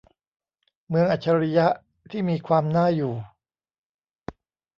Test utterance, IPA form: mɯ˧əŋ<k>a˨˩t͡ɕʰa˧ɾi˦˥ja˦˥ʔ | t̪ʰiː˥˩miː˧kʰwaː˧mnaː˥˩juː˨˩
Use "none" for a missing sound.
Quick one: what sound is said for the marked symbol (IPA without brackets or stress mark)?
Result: ʔ